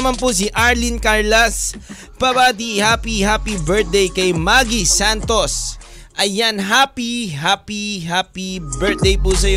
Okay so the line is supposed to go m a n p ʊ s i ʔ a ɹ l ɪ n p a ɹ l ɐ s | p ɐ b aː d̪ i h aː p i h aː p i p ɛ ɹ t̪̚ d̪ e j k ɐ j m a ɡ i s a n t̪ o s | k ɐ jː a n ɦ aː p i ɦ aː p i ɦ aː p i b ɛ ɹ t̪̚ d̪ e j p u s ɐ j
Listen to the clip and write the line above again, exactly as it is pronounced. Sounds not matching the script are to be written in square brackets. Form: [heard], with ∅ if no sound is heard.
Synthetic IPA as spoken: m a n p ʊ s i ʔ a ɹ l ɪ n [k] a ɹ l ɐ s | p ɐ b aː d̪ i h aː p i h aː p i [b] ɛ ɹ t̪̚ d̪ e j k ɐ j m a ɡ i s a n t̪ o s | [ʔ] ɐ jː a n ɦ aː p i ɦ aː p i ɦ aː p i b ɛ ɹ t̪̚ d̪ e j p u s ɐ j